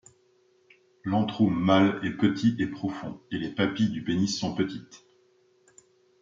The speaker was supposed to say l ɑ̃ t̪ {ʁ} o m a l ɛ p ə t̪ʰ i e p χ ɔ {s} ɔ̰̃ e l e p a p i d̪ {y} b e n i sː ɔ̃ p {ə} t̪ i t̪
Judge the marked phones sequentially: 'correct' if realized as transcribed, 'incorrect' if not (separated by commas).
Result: incorrect, incorrect, correct, correct